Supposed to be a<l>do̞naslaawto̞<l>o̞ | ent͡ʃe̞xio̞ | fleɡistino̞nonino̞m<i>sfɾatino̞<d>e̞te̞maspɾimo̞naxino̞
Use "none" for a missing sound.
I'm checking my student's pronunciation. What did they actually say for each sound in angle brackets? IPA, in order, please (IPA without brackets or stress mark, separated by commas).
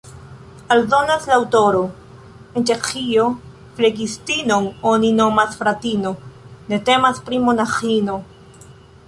l, ɾ, a, n